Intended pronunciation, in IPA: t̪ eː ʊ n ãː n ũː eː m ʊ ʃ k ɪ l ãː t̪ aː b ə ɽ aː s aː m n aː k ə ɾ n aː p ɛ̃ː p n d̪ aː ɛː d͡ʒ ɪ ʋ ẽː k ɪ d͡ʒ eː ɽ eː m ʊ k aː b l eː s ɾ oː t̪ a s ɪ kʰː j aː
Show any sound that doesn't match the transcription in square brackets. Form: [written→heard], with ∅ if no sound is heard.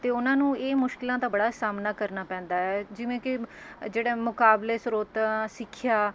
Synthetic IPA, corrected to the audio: t̪ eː ʊ n ãː n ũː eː m ʊ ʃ k ɪ l ãː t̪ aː b ə ɽ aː s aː m n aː k ə ɾ n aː p ɛ̃ː [p→∅] n d̪ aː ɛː d͡ʒ ɪ ʋ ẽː k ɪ d͡ʒ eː ɽ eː m ʊ k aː b l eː s ɾ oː t̪ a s ɪ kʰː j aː